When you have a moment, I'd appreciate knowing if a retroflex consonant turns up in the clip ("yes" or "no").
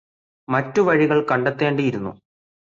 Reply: yes